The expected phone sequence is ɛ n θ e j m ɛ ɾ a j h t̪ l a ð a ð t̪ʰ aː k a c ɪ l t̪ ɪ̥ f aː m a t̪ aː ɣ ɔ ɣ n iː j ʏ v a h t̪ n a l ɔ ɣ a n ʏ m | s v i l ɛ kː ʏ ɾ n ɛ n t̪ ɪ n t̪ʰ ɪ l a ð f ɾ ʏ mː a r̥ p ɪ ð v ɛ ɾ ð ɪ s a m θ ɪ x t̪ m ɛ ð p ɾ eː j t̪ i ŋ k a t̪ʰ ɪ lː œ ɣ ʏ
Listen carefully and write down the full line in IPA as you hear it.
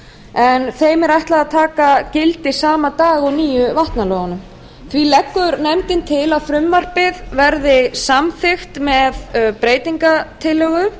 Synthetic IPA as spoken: ɛ n θ e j m ɛ ɾ a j h t̪ l a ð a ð t̪ʰ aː k a c ɪ l t̪ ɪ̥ s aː m a t̪ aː ɣ ɔ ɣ n iː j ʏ v a h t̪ n a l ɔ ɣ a n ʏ m | θ v i l ɛ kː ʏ ɾ n ɛ m t̪ ɪ n t̪ʰ ɪ l a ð f ɾ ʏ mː a r̥ p ɪ ð v ɛ ɾ ð ɪ s a m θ ɪ x t̪ m ɛ ð p ɾ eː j t̪ i ŋ k a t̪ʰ ɪ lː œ ɣ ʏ

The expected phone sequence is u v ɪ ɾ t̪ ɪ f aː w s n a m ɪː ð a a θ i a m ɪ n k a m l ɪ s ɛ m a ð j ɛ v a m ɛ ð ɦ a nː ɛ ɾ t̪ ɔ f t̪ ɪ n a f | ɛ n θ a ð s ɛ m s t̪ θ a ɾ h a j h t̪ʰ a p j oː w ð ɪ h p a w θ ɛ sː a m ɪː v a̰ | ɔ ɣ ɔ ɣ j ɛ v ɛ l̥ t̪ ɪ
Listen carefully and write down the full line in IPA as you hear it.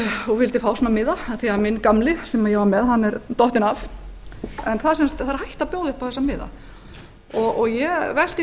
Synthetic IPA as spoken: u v ɪ l t̪ ɪ f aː w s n a m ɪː ð a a θ i a m ɪ n k a m l ɪ s ɛ m a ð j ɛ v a m ɛ ð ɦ a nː ɛ ɾ t̪ ɔ h t̪ ɪ n a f | ɛ n θ a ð s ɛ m s t̪ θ a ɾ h a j h t̪ a p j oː w ð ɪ h p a w θ ɛ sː a m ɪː ð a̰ | ɔ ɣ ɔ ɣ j ɛ v ɛ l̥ t̪ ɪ

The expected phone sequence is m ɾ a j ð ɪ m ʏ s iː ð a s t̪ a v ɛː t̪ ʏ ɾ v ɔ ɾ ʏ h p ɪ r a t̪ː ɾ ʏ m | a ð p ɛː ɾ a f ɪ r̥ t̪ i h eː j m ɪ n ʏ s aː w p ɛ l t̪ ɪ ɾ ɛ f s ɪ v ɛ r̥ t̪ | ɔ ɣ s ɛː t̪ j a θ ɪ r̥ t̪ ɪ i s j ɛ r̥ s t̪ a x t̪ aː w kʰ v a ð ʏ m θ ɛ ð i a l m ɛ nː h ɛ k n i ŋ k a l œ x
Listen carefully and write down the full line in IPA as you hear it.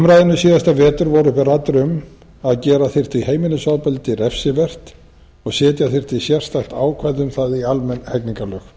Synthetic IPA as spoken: m ɾ a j ð ɪ n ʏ s iː ð a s t̪ a v ɛː t̪ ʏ ɾ v ɔ ɾ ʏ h p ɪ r a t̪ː ɾ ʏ m | a ð c ɛː ɾ a θ ɪ r̥ t̪ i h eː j m ɪ n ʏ s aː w p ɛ l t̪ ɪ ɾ ɛ f s ɪ v ɛ r̥ t̪ | ɔ ɣ s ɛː t̪ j a θ ɪ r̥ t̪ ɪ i s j ɛ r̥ s t̪ a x t̪ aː w kʰ v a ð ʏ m θ a ð i a l m ɛ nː h ɛ k n i ŋ k a l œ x

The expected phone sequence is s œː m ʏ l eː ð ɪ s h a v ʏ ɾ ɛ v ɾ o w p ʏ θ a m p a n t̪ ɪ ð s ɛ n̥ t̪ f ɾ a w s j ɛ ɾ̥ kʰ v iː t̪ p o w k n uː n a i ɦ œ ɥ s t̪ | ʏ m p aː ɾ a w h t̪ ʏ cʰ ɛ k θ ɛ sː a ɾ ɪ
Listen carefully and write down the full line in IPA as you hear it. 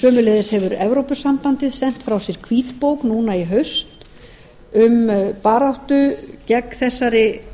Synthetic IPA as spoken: s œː m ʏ l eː ð ɪ s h ɛ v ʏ ɾ ɛ v ɾ o w p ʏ s a m p a n t̪ ɪ ð s ɛ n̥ t̪ f ɾ a w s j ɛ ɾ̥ kʰ v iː t̪ p o w k n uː n a i ɦ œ ɥ s t̪ | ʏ m p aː ɾ a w h t̪ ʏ c ɛ k θ ɛ sː a ɾ ɪ

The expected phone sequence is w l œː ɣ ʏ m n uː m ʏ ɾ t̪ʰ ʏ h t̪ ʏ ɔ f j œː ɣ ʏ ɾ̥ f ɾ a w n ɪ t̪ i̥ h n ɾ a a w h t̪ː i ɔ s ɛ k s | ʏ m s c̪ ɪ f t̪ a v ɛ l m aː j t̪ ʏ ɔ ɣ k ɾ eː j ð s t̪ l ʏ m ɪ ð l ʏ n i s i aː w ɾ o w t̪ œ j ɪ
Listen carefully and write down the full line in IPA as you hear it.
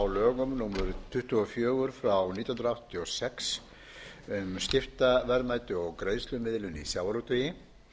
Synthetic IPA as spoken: w l œː ɣ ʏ m n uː m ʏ ɾ t̪ʰ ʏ h t̪ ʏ ɔ f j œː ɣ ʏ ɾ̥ f ɾ a w n i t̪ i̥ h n ɾ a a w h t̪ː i ɔ s ɛ k s | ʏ m s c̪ ɪ f t̪ a v ɛ ɾ m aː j t̪ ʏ ɔ ɣ k ɾ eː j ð s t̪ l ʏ m ɪ ð l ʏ n i s j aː w ɾ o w t̪ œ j ɪ

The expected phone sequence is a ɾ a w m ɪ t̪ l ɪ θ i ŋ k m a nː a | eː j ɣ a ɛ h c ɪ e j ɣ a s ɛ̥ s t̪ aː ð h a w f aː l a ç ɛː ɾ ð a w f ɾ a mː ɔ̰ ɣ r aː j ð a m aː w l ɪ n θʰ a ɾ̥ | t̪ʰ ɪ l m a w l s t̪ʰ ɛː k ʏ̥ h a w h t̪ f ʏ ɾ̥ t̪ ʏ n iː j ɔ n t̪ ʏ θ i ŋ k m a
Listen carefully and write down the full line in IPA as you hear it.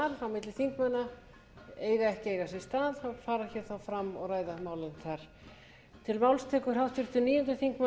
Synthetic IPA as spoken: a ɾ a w m ɪ t̪ l ɪ θ i ŋ k m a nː a | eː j ɣ a ɛ h c ɪ e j ɣ a s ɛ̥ s t̪ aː ð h a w f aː ɾ a ç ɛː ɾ θ a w f ɾ a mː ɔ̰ ɣ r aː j ð a m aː w l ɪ n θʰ a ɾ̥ | t̪ʰ ɪ l m a w l s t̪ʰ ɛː k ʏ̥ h a w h t̪ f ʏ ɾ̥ t̪ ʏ n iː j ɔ n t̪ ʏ θ i ŋ k m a

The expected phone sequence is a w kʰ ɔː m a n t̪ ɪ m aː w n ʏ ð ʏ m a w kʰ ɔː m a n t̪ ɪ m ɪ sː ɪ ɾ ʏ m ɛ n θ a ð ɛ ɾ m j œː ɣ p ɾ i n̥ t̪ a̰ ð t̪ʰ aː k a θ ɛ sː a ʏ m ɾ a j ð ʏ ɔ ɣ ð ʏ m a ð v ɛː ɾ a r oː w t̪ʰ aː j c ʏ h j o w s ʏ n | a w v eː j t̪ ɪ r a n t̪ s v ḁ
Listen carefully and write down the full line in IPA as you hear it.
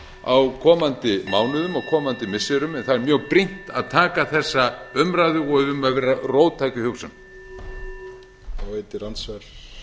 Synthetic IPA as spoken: a w kʰ ɔː m a n t̪ ɪ m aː w n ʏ ð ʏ m a w kʰ ɔː m a n t̪ ɪ m ɪ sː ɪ ɾ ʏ m ɛ n θ a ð ɛ ɾ m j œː ɣ p ɾ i n̥ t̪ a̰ ð t̪ʰ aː k a θ ɛ sː a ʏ m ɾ a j ð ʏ ɔ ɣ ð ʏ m a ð v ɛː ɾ a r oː w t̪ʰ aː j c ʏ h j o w s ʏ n | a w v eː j t̪ ɪ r a n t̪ s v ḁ

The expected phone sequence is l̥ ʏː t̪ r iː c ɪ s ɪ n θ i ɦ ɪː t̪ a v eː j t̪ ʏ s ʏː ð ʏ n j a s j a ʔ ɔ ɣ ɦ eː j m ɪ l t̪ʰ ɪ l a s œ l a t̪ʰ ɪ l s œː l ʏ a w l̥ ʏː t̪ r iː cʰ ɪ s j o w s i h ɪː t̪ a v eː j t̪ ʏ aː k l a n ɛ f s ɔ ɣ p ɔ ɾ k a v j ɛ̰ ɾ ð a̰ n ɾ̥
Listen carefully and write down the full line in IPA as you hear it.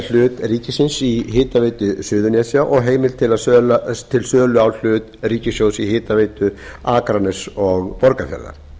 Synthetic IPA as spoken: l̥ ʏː t̪ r iː c ɪ s ɪ n s i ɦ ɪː t̪ a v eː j t̪ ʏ s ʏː ð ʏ n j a s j a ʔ ɔ ɣ ɦ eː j m ɪ l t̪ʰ ɪ l a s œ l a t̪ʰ ɪ l s œː l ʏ a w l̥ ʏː t̪ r iː c ɪ s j o w s i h ɪː t̪ a v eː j t̪ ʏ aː k ɾ a n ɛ s ɔ ɣ p ɔ ɾ k a f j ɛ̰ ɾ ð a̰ ɾ̥

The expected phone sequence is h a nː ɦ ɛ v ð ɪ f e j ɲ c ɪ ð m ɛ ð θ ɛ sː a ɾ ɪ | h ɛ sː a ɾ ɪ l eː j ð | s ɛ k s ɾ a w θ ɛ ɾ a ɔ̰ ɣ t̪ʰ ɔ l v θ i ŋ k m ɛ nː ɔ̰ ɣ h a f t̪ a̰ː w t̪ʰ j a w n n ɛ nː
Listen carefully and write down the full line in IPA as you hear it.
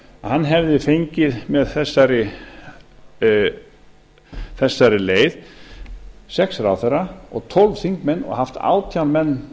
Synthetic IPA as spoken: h a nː ɦ ɛ v ð ɪ f e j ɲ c ɪ ð m ɛ ð θ ɛ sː a ɾ ɪ | θ ɛ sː a ɾ ɪ l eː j ð | s ɛ k s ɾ a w θ ɛ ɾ a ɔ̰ ɣ t̪ʰ ɔ l v θ i ŋ k m ɛ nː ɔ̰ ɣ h a f t̪ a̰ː w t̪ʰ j a w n m ɛ nː

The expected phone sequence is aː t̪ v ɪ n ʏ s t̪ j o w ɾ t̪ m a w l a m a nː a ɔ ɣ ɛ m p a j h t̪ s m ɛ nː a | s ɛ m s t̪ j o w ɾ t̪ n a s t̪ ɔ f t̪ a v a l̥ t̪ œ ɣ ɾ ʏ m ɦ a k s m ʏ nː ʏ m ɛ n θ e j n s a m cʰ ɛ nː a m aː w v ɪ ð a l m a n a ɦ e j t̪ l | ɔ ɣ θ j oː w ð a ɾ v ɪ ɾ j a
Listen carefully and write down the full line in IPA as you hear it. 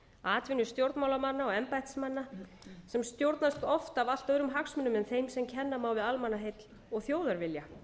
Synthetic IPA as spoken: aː t̪ v ɪ n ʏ s t̪ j o w ɾ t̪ m a w l a m a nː a ɔ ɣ ɛ m p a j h t̪ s m a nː a | s ɛ m s t̪ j o w ɾ t̪ n a s t̪ ɔ f t̪ a v a l̥ t̪ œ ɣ ɾ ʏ m ɦ a k s m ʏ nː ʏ m ɛ n θ e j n s ɛ m cʰ ɛ nː a m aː w v ɪ ð a l m a n a ɦ e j t̪ l | ɔ ɣ θ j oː w ð a ɾ v ɪ l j a

